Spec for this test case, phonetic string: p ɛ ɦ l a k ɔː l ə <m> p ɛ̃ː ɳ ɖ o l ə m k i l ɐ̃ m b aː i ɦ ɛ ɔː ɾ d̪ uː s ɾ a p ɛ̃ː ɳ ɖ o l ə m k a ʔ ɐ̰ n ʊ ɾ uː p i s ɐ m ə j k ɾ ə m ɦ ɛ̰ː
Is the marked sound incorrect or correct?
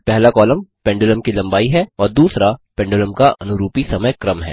correct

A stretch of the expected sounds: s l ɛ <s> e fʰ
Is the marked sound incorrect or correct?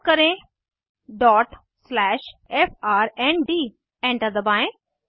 incorrect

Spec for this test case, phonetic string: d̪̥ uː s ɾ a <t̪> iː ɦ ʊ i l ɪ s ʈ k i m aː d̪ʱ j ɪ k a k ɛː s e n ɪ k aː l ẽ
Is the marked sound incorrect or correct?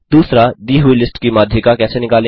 incorrect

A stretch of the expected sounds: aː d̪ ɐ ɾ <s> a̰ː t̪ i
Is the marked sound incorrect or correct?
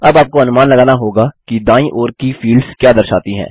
incorrect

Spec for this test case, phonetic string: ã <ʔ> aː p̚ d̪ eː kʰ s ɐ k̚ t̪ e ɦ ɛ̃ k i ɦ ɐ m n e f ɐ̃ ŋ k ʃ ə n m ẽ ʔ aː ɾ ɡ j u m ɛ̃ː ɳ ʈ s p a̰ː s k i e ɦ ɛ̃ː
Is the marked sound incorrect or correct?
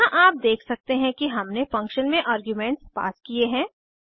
correct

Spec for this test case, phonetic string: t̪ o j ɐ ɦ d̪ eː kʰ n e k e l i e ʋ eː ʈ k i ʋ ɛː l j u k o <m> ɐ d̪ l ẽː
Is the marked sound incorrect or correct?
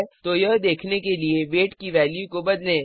incorrect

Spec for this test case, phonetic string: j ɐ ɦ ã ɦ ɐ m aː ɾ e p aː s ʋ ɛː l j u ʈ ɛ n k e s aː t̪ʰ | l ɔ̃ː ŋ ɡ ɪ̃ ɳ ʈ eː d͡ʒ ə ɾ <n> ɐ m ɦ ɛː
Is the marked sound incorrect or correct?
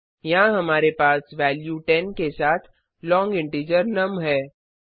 correct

